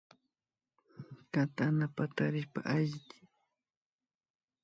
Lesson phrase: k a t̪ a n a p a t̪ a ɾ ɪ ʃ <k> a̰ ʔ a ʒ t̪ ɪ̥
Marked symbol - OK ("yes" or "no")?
no